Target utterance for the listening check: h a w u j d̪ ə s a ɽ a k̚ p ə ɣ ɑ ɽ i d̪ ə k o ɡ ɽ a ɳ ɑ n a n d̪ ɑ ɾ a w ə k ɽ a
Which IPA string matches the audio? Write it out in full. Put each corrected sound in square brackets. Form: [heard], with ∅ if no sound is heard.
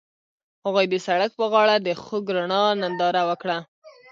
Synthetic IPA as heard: h a [ɣ] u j d̪ ə s a ɽ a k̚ p ə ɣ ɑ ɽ [a] d̪ ə [x] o ɡ [ɾ] a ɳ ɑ n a n d̪ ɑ ɾ a w ə k ɽ a